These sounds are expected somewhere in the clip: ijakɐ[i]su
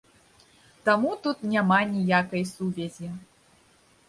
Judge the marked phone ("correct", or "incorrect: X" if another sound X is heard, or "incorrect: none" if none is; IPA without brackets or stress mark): incorrect: j